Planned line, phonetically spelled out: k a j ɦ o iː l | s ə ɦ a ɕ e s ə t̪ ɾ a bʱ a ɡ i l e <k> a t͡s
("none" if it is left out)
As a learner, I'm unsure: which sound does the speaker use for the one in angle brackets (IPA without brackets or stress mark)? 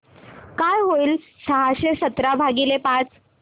p